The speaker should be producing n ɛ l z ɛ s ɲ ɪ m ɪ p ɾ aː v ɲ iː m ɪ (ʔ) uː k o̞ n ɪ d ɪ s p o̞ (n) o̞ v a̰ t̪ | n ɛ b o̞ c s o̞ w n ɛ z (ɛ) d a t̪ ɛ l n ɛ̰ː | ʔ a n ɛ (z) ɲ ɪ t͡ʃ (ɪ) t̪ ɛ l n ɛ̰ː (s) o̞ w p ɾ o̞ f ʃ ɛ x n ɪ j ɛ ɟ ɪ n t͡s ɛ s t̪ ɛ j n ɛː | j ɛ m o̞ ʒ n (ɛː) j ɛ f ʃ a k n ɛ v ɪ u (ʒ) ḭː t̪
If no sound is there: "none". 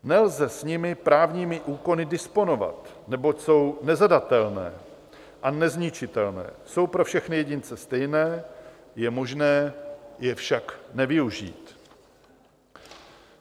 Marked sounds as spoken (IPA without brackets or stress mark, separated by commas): ʔ, n, a, z, ɪ, s, ɛː, ʒ